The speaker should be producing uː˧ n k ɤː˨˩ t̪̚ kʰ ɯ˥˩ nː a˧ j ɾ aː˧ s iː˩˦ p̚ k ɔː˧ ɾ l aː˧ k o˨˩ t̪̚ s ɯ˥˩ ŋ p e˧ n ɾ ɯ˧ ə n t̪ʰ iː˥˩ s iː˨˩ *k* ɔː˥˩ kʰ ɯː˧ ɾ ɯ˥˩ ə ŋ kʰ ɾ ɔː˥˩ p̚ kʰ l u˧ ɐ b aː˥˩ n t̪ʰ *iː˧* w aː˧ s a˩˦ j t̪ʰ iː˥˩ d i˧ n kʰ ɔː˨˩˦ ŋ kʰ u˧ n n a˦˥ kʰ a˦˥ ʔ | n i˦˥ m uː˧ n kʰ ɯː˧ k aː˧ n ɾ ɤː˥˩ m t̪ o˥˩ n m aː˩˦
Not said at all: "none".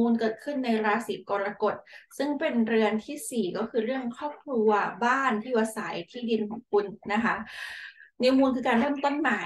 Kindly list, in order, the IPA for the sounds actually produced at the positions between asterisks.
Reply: k, iː˥˩

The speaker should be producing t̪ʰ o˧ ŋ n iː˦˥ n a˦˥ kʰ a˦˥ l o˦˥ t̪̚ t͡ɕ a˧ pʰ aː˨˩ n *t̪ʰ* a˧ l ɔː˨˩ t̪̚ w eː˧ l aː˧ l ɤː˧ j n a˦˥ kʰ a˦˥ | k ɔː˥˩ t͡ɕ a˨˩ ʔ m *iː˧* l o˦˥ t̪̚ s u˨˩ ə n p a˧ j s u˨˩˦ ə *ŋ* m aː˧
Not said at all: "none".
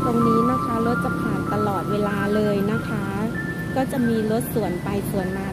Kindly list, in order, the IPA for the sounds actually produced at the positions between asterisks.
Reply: t̪, iː˧, n

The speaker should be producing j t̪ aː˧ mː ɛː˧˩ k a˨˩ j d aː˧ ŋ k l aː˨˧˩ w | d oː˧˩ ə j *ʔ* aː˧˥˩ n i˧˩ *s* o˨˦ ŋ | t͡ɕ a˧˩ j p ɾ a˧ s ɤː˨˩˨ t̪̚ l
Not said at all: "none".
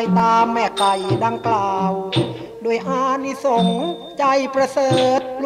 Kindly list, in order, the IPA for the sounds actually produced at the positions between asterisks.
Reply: ʔ, s

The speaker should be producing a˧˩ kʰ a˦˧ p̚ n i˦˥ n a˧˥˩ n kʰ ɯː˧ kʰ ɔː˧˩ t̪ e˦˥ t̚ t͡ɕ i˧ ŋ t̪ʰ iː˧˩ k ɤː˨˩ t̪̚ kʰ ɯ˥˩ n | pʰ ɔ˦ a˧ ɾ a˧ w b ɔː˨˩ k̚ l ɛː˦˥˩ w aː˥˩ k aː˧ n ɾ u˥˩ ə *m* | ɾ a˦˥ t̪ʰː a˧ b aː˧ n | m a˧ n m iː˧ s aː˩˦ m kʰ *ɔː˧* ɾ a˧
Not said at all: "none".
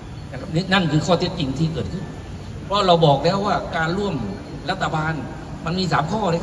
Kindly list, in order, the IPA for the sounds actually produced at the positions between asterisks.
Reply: m, ɔː˥˩

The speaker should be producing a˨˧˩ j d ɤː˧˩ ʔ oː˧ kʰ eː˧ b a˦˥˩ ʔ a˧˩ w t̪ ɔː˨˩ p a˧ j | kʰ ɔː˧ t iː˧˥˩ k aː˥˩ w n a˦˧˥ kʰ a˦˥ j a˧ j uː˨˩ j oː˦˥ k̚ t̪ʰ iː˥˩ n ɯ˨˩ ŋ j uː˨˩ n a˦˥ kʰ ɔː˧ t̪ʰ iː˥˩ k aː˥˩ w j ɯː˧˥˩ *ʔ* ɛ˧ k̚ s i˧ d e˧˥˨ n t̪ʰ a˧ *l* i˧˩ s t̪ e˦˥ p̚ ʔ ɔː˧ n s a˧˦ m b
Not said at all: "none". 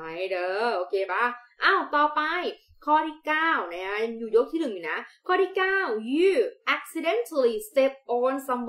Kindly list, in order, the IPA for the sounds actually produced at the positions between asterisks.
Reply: ʔ, l

